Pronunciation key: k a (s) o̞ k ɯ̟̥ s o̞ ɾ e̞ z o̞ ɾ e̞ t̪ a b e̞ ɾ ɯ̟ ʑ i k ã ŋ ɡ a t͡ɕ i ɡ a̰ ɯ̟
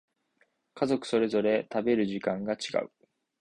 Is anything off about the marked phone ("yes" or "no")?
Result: yes